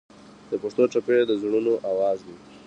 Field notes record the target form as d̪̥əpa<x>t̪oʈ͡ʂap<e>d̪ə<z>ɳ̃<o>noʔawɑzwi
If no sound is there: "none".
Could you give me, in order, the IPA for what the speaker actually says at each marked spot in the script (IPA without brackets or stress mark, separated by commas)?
ʂ, e, z, u